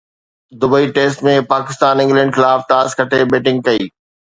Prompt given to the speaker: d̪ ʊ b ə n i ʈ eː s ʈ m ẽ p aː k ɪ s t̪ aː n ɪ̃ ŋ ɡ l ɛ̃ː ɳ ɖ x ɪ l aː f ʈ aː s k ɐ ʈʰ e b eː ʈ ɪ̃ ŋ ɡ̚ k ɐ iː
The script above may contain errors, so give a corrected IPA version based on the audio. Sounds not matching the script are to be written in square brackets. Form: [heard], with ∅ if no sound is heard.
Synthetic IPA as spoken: d̪ ʊ b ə [∅] i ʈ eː s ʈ m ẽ p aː k ɪ s t̪ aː n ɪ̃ ŋ ɡ l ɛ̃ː ɳ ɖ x ɪ l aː f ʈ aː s k ɐ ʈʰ e b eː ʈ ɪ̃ ŋ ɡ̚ k ɐ iː